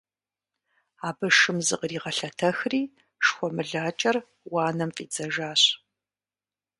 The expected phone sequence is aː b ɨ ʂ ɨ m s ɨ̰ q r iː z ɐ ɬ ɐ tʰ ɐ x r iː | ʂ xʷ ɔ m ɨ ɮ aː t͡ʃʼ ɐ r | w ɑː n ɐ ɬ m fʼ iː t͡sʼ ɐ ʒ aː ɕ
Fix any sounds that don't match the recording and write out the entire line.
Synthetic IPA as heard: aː b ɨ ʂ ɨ m z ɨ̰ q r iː ʁ ɐ ɬ ɐ tʰ ɐ x r iː | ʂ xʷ ɔ m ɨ ɮ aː t͡ʃʼ ɐ r | w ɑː n ɐ m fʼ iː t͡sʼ ɐ ʒ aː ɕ